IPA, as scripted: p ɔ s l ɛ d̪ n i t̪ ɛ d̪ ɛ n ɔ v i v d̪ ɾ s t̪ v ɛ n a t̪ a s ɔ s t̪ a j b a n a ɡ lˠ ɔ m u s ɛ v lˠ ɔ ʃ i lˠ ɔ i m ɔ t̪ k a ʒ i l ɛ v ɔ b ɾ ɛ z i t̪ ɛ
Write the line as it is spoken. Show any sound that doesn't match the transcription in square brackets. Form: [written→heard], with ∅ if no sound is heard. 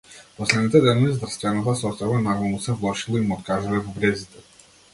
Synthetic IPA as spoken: p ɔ s l ɛ d̪ n i t̪ ɛ d̪ ɛ n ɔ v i [v→z] d̪ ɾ s t̪ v ɛ n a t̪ a s ɔ s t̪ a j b a n a ɡ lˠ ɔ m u s ɛ v lˠ ɔ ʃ i lˠ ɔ i m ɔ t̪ k a ʒ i l ɛ v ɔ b ɾ ɛ z i t̪ ɛ

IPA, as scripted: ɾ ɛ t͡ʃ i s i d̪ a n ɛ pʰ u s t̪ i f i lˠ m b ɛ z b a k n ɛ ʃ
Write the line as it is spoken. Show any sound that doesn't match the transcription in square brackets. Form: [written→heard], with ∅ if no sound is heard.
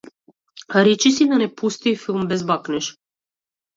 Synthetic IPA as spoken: ɾ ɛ t͡ʃ i s i d̪ a n ɛ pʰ u s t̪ i f i lˠ m b ɛ z b a k n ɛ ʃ

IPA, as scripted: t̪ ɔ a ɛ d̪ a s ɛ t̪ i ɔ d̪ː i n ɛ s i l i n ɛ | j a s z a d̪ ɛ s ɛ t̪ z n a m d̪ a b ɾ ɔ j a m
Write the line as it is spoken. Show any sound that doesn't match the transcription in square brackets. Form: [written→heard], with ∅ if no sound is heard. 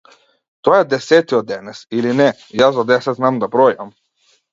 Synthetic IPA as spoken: t̪ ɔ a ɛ d̪ [a→ɛ] s ɛ t̪ i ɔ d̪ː [i→ɛ] n ɛ s i l i n ɛ | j a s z a d̪ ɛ s ɛ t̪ z n a m d̪ a b ɾ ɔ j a m

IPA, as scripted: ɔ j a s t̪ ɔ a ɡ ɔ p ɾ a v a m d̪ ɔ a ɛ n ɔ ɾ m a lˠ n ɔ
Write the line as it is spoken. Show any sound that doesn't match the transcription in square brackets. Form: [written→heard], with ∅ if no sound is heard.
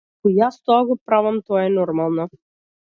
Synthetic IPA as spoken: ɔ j a s t̪ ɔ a ɡ ɔ p ɾ a v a m [d̪→t̪] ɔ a ɛ n ɔ ɾ m a lˠ n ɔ

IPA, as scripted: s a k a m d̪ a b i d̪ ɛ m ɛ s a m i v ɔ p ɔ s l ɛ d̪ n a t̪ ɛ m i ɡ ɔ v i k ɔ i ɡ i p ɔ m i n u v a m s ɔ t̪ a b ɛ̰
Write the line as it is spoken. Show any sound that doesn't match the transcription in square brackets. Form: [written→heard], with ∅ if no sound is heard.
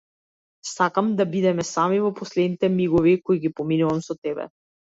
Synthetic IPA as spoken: s a k a m d̪ a b i d̪ ɛ m ɛ s a m i v ɔ p ɔ s l ɛ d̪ n [a→i] t̪ ɛ m i ɡ ɔ v i k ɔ i ɡ i p ɔ m i n u v a m s ɔ t̪ [a→ɛ] b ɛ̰

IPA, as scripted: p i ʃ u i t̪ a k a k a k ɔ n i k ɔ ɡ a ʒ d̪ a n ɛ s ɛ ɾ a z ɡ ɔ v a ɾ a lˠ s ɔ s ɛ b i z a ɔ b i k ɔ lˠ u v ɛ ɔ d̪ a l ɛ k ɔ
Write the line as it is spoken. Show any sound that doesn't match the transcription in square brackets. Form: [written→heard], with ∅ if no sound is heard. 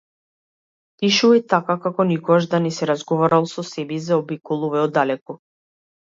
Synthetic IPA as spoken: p i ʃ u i t̪ a k a k a k ɔ n i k ɔ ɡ a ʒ d̪ a n ɛ s ɛ ɾ a z ɡ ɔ v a ɾ a lˠ s ɔ s ɛ b i z a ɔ b i k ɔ lˠ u v ɛ ɔ d̪ a l ɛ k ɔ

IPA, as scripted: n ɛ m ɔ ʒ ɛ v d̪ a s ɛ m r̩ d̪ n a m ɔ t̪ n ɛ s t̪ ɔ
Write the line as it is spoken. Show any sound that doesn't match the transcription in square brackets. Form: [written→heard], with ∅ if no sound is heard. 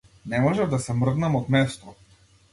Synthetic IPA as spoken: n ɛ m ɔ ʒ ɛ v d̪ a s ɛ m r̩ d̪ n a m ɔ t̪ [n→m] ɛ s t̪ ɔ

